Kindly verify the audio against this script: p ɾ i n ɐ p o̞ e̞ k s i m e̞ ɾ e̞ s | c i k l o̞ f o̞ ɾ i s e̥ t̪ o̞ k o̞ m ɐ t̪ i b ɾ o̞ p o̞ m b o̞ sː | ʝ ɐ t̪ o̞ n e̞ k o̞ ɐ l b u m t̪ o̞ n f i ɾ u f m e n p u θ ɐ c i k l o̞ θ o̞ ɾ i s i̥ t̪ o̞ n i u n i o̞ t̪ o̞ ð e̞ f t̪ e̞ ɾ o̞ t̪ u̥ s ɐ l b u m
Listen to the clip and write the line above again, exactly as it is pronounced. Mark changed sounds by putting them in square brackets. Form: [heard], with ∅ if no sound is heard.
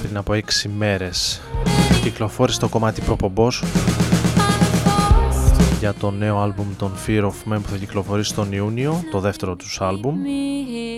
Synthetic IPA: p ɾ i n ɐ p o̞ e̞ k s i m e̞ ɾ e̞ s | c i k l o̞ f o̞ ɾ i s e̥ t̪ o̞ k o̞ m ɐ t̪ i [p] ɾ o̞ p o̞ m b o̞ [s] | ʝ ɐ t̪ o̞ n e̞ [∅] o̞ ɐ l b u m t̪ o̞ n f i ɾ [o] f m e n p u θ ɐ c i k l o̞ [f] o̞ ɾ i s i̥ t̪ o̞ n i u n i o̞ t̪ o̞ ð e̞ f t̪ e̞ ɾ o̞ t̪ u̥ s ɐ l b u m